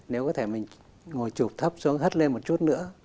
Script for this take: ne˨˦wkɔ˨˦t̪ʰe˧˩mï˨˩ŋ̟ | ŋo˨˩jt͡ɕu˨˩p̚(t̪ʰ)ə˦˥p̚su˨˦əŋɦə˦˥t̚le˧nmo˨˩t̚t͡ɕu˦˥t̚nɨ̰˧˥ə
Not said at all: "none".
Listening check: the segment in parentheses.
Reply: t̪ʰ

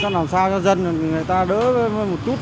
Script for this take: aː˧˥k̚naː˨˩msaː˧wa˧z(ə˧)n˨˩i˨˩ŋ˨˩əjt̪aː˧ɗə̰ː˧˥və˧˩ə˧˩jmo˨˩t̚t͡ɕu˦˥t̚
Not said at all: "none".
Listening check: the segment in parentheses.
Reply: ə˧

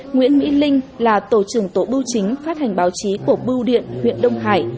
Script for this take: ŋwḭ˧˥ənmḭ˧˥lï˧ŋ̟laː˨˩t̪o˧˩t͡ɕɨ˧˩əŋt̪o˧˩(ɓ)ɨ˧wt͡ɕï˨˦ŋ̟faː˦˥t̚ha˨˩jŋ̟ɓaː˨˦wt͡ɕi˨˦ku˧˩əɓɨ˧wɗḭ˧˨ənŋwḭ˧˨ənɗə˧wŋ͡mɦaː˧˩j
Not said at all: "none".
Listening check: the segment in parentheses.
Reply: ɓ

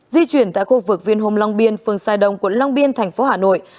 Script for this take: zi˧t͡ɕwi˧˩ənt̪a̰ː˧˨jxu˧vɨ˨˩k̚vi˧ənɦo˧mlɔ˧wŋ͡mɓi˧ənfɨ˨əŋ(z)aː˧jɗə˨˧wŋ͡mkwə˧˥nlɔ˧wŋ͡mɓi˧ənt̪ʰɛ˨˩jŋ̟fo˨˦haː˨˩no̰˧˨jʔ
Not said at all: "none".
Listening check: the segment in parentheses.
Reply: s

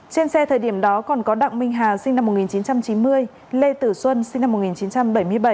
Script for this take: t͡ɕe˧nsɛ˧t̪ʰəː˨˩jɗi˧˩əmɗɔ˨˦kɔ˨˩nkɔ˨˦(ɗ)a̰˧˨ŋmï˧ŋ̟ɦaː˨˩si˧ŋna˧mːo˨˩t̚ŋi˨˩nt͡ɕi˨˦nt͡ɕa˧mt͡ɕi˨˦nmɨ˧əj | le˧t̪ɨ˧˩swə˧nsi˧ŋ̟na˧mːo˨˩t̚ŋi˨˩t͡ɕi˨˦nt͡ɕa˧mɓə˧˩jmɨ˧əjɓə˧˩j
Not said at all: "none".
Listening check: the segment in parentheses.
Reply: ɗ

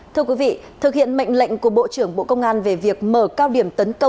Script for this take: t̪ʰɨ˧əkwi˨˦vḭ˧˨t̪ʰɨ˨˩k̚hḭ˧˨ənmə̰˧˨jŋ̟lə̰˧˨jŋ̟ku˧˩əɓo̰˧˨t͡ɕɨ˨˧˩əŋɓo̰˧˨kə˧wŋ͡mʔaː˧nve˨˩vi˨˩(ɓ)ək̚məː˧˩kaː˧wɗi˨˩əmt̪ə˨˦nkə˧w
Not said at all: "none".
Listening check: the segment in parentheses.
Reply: none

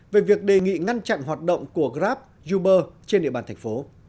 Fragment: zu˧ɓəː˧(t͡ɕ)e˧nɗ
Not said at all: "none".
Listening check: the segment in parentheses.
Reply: t͡ɕ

